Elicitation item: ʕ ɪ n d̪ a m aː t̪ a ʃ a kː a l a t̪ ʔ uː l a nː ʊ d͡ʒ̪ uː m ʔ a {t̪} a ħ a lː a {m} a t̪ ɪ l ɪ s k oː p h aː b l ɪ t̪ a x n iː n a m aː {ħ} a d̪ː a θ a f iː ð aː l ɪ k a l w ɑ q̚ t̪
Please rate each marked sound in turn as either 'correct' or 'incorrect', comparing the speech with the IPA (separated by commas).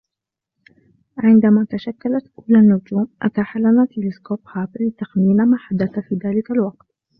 correct, incorrect, correct